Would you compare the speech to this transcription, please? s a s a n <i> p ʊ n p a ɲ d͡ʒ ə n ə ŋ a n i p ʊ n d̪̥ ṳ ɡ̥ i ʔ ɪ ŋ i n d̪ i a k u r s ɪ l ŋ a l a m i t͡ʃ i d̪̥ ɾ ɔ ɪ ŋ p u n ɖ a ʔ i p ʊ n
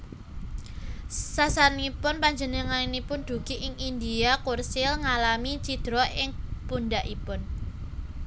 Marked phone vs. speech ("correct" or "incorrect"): correct